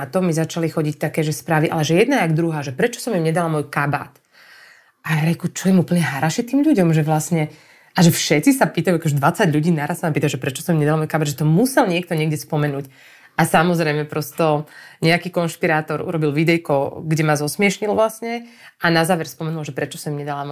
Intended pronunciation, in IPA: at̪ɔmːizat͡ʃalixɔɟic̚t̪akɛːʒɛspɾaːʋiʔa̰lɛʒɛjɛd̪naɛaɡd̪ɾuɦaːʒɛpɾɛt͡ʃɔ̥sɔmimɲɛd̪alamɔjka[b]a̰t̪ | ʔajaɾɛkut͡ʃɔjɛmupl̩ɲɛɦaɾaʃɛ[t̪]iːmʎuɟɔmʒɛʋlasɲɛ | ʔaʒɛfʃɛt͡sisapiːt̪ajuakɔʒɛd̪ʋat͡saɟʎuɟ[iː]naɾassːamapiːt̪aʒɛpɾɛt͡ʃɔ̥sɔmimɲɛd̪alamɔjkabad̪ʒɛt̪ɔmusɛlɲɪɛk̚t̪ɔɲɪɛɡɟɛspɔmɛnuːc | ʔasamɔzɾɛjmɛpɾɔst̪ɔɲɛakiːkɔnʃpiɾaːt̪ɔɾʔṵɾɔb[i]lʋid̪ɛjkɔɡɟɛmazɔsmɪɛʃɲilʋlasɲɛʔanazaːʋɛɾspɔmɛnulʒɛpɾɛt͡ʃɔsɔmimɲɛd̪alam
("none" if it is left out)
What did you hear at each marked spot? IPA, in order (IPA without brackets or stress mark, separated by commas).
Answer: b, t̪, iː, i